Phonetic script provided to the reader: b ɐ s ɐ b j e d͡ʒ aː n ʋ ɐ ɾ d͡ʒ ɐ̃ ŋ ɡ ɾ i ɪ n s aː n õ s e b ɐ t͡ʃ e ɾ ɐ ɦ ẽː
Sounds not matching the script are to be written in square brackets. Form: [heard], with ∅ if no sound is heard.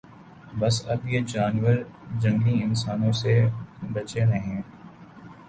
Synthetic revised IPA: b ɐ s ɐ b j e d͡ʒ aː n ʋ [ə] ɾ d͡ʒ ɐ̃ ŋ ɡ [l] i ɪ n s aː n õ s e b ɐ t͡ʃ e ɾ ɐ ɦ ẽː